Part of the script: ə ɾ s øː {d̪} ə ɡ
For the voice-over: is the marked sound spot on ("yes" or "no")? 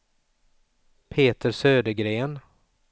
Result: yes